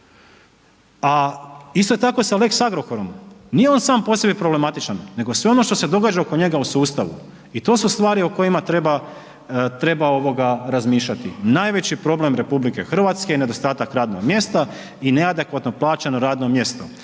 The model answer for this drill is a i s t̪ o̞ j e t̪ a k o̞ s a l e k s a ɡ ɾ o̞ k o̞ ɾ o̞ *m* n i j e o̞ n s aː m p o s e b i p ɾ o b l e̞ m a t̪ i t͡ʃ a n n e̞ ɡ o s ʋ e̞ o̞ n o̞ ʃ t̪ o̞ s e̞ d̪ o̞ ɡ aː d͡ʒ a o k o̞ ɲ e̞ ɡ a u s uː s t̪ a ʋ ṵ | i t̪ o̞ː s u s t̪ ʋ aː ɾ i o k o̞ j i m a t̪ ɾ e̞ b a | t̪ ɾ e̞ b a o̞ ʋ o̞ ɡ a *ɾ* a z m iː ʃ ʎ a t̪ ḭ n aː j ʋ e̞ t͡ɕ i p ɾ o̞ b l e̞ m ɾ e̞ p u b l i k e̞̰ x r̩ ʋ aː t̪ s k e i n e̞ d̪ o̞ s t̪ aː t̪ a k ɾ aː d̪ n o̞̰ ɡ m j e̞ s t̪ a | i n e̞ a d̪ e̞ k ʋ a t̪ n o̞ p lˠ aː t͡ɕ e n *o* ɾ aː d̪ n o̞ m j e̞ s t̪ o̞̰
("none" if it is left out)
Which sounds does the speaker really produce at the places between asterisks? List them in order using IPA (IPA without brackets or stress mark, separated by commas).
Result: m, ɾ, o